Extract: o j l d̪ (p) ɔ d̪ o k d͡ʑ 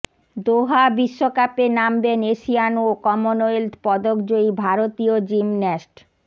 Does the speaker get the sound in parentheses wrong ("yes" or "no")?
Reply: no